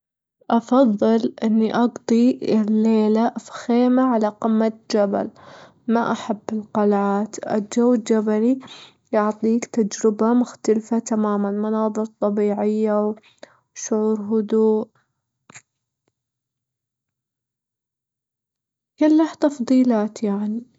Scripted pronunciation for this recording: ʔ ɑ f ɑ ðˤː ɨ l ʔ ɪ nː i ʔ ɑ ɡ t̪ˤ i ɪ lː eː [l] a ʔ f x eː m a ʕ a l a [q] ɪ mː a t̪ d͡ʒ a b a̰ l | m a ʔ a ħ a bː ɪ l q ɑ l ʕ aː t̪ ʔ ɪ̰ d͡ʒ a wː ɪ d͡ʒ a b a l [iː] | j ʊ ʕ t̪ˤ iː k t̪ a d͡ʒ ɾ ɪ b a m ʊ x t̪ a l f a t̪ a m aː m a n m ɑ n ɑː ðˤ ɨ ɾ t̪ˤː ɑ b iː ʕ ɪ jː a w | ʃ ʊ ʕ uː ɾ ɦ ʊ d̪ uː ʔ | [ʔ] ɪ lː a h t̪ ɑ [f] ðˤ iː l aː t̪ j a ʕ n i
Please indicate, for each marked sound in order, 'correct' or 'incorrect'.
correct, correct, incorrect: i, incorrect: k, correct

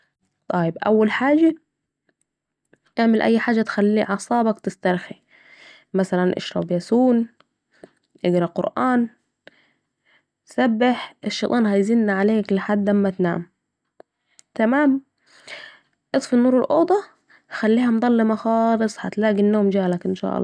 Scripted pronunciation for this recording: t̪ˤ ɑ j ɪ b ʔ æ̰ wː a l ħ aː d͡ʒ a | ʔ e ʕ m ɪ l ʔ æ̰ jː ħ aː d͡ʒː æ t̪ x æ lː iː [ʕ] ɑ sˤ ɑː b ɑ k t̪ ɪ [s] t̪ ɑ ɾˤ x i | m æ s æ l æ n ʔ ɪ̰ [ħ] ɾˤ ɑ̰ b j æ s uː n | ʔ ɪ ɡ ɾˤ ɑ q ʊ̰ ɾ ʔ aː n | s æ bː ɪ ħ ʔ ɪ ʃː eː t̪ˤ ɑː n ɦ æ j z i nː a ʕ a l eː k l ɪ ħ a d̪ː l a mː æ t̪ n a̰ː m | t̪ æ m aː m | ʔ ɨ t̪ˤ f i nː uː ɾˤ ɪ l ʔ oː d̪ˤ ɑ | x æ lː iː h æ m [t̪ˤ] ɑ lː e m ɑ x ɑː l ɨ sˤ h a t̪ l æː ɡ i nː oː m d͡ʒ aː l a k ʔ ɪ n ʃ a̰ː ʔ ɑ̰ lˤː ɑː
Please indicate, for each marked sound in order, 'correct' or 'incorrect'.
correct, correct, incorrect: ʃ, incorrect: d̪ˤ

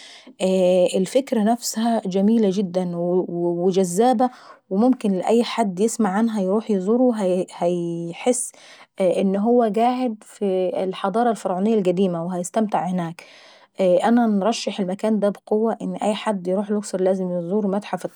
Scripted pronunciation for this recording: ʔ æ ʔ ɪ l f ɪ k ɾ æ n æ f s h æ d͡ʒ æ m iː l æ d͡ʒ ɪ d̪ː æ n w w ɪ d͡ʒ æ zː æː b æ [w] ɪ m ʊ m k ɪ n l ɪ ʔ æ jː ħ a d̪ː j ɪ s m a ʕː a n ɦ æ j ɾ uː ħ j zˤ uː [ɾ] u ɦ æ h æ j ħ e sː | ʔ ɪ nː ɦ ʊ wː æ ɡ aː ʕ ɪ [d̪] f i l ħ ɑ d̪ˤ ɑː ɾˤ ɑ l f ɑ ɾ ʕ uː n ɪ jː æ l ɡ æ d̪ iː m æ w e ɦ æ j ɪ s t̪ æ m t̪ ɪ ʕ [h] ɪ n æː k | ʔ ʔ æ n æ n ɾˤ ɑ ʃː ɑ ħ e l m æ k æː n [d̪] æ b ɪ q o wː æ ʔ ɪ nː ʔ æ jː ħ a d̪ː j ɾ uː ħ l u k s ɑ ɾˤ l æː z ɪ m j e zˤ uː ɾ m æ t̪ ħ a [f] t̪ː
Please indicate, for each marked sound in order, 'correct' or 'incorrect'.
correct, correct, correct, correct, correct, correct

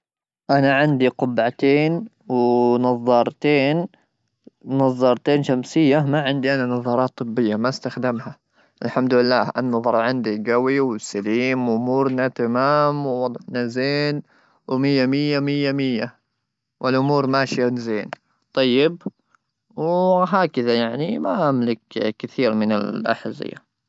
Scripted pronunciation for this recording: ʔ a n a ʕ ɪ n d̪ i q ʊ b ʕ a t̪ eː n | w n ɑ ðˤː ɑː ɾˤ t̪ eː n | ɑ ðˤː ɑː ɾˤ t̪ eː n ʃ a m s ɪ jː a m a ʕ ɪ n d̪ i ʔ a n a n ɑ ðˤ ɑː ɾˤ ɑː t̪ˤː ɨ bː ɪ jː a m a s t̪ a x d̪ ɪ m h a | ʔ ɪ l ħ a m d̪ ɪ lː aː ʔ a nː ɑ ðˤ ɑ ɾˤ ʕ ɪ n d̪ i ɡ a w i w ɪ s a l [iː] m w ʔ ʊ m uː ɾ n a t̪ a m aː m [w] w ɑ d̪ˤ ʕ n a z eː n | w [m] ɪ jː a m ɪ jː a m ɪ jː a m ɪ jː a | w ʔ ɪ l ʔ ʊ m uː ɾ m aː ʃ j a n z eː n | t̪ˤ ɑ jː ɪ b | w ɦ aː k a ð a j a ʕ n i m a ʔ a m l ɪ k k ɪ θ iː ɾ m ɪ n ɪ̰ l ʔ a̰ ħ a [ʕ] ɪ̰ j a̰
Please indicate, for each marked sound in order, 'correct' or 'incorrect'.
correct, correct, correct, incorrect: z

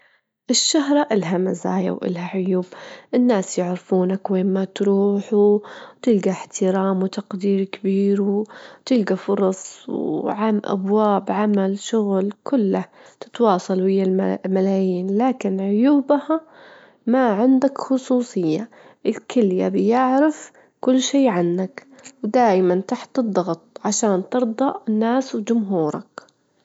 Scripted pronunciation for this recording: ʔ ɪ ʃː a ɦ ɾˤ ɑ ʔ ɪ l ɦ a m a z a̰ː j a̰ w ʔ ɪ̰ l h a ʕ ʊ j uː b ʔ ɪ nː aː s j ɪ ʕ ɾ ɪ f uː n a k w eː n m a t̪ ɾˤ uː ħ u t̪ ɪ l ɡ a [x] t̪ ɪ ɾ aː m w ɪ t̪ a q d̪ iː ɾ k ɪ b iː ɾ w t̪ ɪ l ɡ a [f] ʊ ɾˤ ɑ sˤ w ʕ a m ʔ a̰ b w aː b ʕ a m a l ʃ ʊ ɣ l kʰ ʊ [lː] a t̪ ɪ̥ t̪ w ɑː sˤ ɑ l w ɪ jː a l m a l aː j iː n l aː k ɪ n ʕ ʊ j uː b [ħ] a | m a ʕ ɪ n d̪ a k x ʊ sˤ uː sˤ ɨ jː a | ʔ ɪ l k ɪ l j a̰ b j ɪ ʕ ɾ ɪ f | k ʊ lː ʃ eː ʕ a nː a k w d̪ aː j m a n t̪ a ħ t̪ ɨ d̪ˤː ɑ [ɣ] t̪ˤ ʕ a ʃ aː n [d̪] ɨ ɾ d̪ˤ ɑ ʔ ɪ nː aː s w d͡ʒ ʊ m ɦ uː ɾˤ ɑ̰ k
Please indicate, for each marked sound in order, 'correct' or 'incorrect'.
incorrect: ħ, correct, correct, incorrect: h, correct, incorrect: t̪

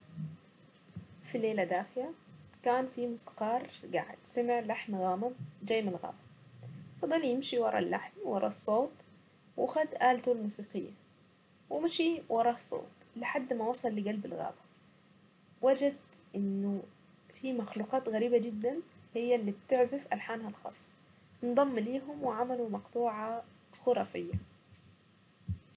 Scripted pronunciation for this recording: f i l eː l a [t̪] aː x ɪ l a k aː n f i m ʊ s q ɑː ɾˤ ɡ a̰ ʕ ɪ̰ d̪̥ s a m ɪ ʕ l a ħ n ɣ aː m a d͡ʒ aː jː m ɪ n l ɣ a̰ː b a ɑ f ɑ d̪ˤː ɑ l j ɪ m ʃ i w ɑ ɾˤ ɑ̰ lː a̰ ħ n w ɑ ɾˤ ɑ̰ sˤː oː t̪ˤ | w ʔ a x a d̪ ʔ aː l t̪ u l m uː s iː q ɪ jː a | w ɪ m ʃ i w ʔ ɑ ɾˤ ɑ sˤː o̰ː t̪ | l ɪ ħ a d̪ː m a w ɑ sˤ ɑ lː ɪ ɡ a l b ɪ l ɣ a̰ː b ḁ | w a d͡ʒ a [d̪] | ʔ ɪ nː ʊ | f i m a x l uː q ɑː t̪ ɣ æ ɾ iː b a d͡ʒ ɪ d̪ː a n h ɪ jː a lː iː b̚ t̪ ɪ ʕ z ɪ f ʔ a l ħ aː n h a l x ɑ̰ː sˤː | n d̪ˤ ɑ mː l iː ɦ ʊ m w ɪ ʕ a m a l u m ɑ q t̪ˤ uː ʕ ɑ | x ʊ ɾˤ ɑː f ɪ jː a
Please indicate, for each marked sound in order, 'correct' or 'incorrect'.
incorrect: d̪, correct

